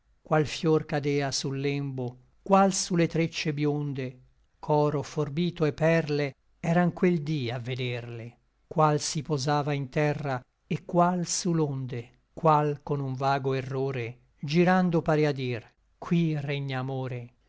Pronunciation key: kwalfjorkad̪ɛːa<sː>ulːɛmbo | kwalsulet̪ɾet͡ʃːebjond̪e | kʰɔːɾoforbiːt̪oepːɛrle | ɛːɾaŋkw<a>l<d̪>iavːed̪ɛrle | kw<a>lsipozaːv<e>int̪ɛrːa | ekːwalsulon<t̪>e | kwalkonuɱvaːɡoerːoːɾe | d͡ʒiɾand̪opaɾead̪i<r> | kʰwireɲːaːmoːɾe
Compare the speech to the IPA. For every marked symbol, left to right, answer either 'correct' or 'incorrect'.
incorrect: s, incorrect: e, correct, correct, incorrect: a, incorrect: d̪, correct

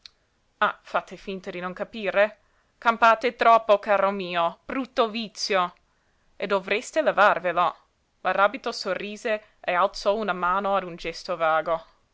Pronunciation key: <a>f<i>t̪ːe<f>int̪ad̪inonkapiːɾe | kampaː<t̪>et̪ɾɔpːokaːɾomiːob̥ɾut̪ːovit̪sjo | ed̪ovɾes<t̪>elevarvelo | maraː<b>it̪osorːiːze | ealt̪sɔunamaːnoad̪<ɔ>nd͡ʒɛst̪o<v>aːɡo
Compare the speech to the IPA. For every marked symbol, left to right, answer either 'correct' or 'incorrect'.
correct, incorrect: a, correct, correct, correct, correct, incorrect: u, correct

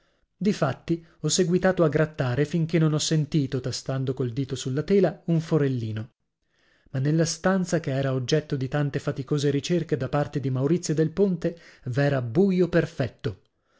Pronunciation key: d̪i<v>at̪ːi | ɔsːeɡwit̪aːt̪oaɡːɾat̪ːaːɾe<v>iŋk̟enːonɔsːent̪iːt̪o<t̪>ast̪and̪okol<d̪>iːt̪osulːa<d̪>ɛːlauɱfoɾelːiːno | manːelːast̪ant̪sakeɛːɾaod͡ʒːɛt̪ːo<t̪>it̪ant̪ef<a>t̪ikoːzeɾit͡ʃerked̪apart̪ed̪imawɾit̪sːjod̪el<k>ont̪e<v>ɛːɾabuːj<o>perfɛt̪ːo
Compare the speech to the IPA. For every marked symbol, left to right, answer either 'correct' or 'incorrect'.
incorrect: f, incorrect: f, correct, correct, incorrect: t̪, incorrect: d̪, correct, incorrect: p, correct, correct

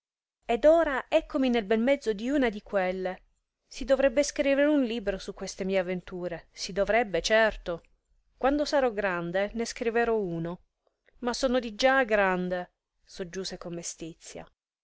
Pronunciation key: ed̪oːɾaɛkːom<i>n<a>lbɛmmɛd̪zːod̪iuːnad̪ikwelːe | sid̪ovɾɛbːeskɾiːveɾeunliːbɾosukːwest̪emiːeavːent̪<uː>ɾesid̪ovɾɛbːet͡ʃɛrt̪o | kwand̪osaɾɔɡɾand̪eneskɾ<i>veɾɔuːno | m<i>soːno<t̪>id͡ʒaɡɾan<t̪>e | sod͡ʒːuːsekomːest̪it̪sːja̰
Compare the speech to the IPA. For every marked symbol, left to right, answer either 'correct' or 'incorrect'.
correct, incorrect: e, correct, correct, incorrect: a, incorrect: d̪, incorrect: d̪

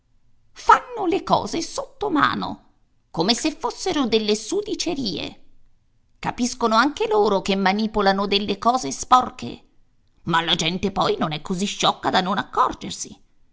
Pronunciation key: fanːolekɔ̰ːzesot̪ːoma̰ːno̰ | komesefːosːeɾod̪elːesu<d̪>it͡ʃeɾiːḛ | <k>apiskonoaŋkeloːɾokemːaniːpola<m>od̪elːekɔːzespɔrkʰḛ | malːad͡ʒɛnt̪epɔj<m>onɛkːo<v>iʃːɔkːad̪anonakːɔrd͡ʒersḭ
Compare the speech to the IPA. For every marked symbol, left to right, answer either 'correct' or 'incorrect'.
correct, correct, incorrect: n, incorrect: n, incorrect: z

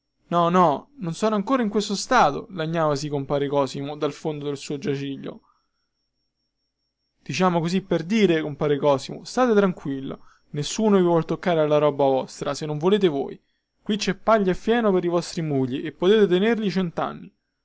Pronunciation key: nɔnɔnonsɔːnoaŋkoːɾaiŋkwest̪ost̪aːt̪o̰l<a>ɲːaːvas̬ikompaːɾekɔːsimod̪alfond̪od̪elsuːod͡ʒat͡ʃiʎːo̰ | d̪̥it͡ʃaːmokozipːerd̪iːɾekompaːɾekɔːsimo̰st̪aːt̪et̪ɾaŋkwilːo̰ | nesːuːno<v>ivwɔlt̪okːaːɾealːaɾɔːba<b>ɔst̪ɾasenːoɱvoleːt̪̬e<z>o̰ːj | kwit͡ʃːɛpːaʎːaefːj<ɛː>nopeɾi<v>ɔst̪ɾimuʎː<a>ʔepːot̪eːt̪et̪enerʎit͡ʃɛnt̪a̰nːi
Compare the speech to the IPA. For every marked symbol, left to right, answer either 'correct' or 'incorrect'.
correct, correct, incorrect: v, incorrect: v, correct, correct, incorrect: i

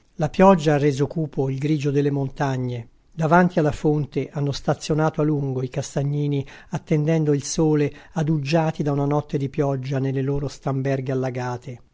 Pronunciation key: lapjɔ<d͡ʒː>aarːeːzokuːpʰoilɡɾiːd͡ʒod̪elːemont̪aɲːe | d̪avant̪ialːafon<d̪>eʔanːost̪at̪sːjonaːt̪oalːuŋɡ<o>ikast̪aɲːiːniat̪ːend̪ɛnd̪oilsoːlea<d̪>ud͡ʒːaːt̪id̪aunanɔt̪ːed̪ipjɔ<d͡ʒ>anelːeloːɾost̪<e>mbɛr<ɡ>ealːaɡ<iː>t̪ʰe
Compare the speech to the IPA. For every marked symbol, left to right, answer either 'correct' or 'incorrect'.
correct, incorrect: t̪, correct, correct, incorrect: d͡ʒː, incorrect: a, correct, incorrect: aː

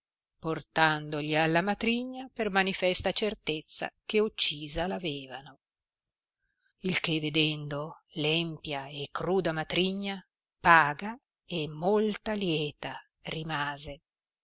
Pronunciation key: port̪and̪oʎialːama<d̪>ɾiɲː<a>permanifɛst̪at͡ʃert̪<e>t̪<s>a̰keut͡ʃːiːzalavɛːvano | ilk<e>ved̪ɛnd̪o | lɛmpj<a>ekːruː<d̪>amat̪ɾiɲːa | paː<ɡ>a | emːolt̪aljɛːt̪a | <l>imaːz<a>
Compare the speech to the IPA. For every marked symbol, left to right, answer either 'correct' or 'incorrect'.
incorrect: t̪, correct, correct, incorrect: sː, correct, correct, correct, correct, incorrect: r, incorrect: e

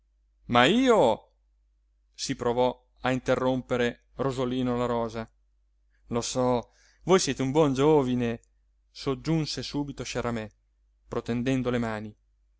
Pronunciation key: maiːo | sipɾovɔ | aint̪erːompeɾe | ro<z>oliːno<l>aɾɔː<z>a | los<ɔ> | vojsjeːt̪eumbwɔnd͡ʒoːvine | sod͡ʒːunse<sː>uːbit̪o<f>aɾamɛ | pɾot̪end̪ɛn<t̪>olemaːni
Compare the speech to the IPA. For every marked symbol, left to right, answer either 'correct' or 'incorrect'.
correct, correct, correct, correct, incorrect: s, incorrect: ʃ, incorrect: d̪

